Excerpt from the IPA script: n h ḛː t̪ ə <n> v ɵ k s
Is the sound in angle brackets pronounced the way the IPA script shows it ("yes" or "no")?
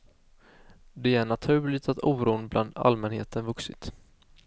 yes